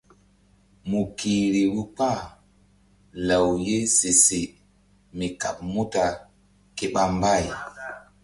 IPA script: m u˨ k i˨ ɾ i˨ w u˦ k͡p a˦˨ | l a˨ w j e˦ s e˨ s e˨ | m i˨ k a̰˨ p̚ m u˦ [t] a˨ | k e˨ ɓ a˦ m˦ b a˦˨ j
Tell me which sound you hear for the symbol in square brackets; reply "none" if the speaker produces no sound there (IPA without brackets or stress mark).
t